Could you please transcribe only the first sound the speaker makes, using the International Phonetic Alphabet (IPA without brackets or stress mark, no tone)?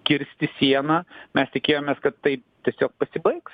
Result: kʲ